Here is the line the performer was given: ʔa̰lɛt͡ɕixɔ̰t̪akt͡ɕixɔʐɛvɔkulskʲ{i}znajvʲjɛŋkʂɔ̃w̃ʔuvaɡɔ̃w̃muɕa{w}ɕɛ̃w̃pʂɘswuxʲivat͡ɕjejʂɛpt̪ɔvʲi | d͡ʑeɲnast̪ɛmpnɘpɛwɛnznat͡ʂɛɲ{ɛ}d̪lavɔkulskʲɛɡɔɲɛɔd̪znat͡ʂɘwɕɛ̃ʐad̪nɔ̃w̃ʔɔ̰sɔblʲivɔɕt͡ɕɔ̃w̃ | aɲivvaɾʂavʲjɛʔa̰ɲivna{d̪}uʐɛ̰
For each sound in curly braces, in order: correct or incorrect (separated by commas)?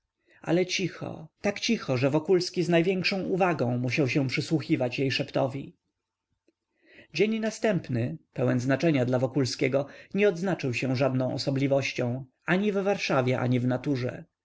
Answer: correct, correct, incorrect, incorrect